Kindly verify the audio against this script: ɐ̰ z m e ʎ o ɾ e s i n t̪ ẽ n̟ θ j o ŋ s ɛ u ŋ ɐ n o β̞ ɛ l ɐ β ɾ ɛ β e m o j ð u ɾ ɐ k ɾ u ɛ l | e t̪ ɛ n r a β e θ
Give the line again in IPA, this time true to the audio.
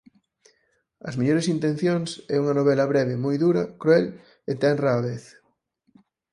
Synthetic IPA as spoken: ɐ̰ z m e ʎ o ɾ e s i n t̪ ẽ n̟ θ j o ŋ s ɛ u ŋ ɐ n o β̞ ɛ l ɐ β ɾ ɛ β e m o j ð u ɾ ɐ k ɾ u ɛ l | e t̪ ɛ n r a β e θ